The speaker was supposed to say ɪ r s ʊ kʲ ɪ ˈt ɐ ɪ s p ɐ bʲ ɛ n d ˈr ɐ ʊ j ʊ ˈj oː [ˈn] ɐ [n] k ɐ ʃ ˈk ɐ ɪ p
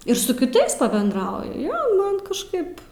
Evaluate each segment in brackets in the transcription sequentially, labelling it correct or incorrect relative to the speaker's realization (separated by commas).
incorrect, correct